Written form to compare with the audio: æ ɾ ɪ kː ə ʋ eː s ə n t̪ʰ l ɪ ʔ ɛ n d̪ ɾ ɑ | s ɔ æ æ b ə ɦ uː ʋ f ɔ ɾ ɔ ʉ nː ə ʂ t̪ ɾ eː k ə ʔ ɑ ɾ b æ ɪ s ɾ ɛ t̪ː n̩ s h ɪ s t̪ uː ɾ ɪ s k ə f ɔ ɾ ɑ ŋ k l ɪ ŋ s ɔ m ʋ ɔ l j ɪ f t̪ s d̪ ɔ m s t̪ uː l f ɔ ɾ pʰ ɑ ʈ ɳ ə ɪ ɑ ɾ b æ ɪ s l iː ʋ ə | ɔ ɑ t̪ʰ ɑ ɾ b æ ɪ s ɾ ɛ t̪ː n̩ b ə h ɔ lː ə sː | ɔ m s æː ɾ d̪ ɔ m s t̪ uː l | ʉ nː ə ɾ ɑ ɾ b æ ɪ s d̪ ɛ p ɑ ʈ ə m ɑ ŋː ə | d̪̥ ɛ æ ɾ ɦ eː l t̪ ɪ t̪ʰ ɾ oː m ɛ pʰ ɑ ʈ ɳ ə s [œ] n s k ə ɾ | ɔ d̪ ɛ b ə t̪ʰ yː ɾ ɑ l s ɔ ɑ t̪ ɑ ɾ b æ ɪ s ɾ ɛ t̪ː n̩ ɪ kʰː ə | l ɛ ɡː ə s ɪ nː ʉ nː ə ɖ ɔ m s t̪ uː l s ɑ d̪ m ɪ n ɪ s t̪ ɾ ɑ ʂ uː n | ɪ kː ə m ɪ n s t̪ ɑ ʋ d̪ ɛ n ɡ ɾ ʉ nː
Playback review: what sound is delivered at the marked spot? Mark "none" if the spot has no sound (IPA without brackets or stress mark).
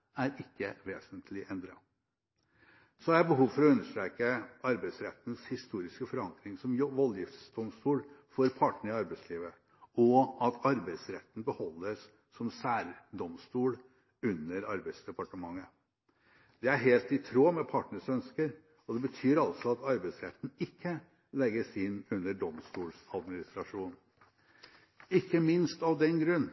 œ